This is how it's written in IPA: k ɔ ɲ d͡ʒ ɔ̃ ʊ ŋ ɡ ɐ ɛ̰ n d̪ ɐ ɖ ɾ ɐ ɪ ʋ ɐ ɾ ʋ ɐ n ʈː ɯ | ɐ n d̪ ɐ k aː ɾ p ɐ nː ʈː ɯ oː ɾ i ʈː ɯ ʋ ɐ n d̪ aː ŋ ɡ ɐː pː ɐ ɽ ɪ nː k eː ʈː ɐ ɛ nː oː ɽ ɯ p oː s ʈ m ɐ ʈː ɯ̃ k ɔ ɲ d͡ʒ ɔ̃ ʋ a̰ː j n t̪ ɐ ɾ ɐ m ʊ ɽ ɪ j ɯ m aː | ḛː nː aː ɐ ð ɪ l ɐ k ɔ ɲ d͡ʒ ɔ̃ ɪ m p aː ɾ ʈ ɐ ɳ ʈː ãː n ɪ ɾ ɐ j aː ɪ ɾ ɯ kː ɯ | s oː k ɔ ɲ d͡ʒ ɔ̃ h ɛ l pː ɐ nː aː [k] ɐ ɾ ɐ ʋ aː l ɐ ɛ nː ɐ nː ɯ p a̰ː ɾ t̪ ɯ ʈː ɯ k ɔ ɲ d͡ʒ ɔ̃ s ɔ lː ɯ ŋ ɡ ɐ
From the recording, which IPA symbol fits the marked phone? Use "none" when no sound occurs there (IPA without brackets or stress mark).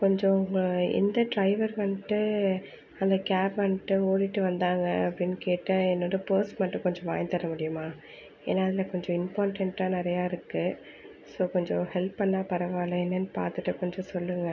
p